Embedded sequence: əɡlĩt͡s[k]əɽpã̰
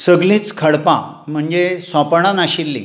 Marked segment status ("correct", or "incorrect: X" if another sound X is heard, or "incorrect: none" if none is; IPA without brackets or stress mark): incorrect: kʰ